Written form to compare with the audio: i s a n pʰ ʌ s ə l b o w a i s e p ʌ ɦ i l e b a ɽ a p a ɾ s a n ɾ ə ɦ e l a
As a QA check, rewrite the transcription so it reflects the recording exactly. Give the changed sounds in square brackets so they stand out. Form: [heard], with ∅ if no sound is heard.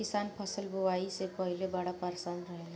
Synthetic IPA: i s a n pʰ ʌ s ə l b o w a i s e p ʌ ɦ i l e b a ɽ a p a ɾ s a n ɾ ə ɦ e l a